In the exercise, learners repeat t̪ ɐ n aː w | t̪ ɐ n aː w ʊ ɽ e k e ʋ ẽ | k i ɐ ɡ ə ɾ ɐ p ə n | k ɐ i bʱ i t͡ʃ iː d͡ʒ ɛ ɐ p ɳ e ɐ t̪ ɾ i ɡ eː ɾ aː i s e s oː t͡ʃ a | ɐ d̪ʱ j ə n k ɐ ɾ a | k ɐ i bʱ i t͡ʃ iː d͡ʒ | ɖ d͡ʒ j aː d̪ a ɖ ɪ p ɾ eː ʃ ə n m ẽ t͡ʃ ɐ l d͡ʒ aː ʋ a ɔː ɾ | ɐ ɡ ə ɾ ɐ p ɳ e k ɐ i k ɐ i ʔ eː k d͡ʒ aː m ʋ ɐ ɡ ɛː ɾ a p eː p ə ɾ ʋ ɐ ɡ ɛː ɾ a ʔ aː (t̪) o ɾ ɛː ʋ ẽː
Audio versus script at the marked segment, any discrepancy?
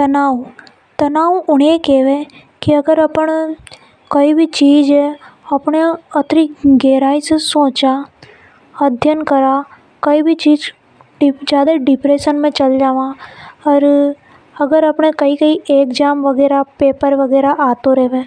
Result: no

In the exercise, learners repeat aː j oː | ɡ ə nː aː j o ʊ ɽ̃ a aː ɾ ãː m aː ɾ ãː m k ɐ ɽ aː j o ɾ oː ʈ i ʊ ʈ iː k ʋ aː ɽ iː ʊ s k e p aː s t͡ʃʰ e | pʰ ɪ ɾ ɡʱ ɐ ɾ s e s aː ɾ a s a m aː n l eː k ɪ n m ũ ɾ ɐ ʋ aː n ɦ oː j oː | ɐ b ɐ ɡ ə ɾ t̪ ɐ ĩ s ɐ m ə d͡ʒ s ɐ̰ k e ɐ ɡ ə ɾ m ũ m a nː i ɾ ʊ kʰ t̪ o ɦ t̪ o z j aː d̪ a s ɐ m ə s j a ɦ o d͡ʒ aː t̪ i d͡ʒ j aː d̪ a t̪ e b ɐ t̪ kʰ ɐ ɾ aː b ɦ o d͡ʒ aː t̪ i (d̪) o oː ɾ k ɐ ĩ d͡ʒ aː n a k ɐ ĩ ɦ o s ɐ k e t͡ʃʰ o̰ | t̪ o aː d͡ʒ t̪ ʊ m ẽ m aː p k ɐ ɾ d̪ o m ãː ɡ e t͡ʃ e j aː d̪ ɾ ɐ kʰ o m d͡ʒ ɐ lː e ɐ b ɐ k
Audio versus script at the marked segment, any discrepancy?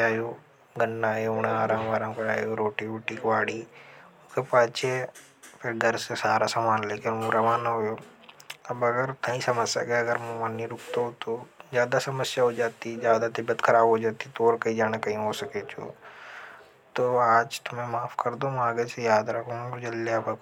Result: yes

